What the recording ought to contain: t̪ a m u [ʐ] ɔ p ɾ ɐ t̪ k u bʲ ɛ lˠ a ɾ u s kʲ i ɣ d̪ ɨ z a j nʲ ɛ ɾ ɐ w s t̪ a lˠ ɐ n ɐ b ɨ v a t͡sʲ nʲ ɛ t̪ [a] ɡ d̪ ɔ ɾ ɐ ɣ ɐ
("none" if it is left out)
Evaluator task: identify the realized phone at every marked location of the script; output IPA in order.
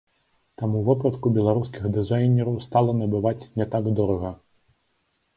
v, a

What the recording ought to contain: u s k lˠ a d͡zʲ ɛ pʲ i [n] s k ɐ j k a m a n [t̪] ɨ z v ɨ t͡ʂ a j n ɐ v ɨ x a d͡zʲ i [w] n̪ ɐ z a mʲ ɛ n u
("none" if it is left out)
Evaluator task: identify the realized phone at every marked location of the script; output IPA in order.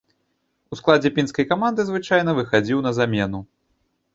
n, d̪, w

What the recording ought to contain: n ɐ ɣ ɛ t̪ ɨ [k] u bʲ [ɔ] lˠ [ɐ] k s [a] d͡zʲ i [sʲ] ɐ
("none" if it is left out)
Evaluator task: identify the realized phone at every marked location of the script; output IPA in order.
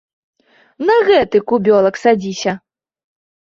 k, ɔ, ɐ, a, sʲ

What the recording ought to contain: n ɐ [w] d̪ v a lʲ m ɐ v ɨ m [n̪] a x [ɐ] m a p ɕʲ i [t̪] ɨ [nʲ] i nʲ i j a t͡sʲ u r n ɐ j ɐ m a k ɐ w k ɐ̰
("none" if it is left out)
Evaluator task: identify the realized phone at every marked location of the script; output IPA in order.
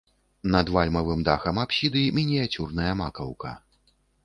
none, d̪, ɐ, d̪, mʲ

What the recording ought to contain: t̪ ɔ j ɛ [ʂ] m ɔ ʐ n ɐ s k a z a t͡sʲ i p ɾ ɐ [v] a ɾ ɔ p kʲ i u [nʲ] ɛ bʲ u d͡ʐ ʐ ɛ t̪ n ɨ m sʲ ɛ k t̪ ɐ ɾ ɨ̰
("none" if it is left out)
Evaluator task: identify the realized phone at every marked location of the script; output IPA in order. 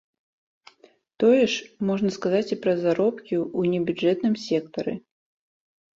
ʂ, z, nʲ

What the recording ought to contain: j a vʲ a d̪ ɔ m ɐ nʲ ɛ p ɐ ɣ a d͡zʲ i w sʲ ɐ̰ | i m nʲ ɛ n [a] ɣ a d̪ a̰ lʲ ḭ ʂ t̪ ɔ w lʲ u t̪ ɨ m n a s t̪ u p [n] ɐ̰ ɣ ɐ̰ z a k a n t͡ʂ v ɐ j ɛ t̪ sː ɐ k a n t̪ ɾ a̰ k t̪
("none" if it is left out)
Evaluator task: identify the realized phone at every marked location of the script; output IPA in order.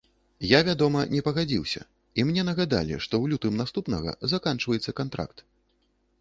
ɐ, n

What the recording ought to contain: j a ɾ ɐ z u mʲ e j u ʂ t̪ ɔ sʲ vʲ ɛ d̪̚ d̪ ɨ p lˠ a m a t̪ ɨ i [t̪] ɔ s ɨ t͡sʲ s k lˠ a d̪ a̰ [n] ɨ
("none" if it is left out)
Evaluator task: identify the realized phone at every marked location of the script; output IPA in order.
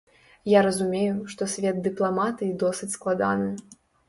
d̪, n

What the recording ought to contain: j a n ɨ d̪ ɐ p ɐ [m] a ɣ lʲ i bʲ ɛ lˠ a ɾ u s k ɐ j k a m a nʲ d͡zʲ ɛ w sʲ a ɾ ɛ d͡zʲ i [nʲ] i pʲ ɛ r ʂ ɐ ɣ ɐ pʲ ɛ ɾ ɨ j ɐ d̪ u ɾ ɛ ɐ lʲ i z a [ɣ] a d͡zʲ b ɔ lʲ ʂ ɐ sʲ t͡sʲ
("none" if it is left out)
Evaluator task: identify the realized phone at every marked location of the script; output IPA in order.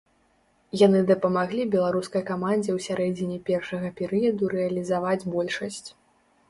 m, nʲ, v

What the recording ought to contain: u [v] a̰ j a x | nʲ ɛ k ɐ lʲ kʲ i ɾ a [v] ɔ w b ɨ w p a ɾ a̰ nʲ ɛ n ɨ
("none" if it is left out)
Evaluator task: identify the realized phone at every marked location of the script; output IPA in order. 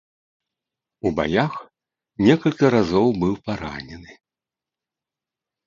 b, z

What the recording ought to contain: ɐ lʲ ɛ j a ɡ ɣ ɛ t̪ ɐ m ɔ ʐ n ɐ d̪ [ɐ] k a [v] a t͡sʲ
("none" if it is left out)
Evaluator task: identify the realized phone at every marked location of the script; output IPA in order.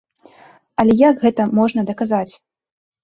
ɐ, z

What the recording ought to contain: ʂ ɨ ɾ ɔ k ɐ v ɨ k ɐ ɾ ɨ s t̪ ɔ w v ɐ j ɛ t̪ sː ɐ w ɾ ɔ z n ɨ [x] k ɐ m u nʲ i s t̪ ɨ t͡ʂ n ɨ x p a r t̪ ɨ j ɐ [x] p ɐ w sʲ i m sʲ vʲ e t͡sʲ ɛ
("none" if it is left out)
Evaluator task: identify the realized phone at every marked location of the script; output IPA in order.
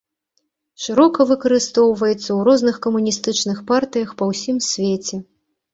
x, x

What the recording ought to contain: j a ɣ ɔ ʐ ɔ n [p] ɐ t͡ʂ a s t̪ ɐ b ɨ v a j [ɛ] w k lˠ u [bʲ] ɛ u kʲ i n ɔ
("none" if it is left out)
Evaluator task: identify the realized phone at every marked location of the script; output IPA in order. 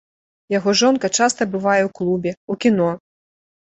k, ɛ, bʲ

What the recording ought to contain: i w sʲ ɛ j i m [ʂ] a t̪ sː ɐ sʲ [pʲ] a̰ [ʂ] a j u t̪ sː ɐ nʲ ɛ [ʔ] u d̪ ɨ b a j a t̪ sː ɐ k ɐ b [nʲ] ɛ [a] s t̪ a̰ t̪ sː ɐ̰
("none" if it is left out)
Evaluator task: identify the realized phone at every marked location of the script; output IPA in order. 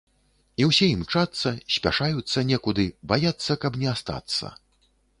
t͡ʂ, pʲ, ʂ, k, nʲ, a

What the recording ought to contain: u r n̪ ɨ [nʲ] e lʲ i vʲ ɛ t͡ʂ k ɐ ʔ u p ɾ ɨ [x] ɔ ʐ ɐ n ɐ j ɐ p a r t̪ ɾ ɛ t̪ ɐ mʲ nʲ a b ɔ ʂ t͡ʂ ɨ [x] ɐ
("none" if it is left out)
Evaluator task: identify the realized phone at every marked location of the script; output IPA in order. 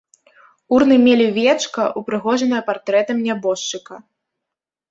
mʲ, ɣ, k

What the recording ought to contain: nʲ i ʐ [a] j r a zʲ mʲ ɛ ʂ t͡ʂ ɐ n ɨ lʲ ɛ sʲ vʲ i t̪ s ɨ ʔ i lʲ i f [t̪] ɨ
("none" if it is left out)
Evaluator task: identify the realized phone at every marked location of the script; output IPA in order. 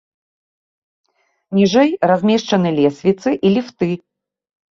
ɛ, t̪

